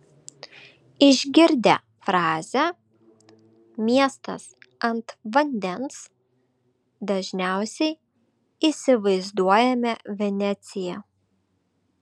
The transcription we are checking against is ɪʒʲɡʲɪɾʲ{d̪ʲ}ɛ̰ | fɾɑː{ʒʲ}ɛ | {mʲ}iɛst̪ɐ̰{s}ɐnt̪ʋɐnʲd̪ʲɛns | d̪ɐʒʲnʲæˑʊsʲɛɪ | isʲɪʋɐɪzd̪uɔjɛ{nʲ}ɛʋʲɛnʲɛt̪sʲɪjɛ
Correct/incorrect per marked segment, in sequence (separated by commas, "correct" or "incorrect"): correct, incorrect, correct, correct, incorrect